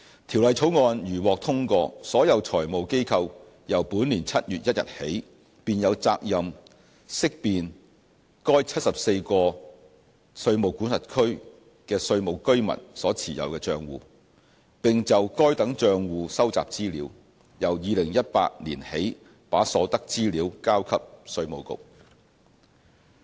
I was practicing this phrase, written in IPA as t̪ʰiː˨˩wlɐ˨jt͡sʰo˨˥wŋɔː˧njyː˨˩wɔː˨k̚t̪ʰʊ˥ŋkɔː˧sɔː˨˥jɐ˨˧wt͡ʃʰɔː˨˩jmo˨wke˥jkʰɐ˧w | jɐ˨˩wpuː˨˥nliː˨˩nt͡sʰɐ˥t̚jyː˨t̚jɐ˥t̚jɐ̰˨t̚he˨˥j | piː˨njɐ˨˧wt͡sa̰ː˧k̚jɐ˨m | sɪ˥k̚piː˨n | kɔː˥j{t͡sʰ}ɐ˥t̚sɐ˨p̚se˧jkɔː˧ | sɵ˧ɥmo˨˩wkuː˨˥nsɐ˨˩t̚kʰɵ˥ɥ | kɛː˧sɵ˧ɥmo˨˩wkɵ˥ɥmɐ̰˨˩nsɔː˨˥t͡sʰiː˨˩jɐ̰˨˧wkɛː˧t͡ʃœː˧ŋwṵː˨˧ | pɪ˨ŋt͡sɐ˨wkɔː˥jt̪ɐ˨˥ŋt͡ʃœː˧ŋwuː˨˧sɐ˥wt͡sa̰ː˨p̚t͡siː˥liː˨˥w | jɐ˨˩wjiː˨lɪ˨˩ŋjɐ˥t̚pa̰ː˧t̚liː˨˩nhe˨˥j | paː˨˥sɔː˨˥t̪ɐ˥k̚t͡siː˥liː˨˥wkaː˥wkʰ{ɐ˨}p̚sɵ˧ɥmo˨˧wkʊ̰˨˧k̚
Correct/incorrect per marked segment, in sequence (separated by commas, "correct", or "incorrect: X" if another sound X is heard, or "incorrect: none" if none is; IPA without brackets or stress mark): correct, incorrect: ɐ˥